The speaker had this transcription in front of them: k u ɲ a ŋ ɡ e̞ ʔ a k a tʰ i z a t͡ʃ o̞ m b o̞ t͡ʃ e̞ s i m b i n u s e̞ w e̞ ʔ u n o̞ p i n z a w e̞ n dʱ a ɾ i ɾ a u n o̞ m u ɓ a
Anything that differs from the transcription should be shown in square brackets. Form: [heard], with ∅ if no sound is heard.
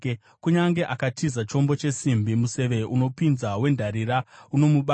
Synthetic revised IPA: k u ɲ a ŋ ɡ e̞ ʔ a k a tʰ i z a t͡ʃ o̞ m b o̞ t͡ʃ e̞ s i m b i [m] u s e̞ [ʋ] e̞ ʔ u n o̞ p i n z a w e̞ n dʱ a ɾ i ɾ a u n o̞ m u ɓ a